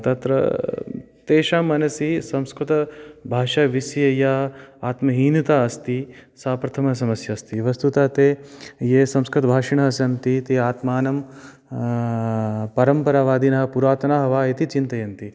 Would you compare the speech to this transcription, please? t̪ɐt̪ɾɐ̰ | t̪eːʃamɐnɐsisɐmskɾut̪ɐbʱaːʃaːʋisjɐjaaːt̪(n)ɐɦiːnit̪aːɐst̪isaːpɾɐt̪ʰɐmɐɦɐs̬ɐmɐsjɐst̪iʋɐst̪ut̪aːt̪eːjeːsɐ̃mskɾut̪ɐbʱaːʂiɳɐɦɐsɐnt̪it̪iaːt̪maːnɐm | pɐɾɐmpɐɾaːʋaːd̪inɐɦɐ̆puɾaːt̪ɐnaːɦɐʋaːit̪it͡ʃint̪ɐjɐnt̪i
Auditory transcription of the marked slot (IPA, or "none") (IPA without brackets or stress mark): m